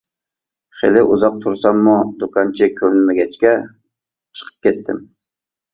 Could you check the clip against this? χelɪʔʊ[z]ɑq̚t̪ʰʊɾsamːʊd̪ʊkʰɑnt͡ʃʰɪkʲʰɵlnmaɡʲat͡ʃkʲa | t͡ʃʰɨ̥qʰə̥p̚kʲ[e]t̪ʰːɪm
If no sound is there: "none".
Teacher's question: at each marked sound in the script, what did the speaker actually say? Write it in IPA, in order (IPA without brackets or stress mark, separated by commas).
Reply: z, e